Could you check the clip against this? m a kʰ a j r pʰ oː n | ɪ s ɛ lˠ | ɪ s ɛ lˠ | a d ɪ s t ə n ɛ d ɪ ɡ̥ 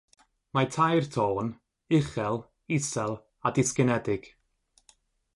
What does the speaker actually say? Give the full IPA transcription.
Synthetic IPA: m a tʰ a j r tʰ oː n | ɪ χ ɛ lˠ | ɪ s ɛ lˠ | a d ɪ s k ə n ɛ d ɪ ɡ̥